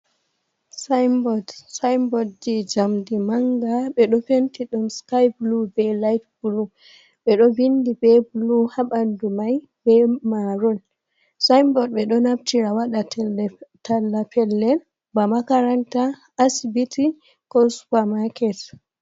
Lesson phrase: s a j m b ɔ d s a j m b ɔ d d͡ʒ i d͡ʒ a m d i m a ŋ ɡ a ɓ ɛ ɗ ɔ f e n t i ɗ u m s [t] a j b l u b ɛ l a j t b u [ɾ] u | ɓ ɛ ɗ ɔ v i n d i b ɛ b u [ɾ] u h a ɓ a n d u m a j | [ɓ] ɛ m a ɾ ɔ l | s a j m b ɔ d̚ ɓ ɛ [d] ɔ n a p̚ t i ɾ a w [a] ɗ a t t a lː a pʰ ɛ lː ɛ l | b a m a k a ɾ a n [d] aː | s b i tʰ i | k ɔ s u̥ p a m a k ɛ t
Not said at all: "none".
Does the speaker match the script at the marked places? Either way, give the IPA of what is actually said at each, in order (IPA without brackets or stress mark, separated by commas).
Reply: k, l, l, b, ɗ, a, t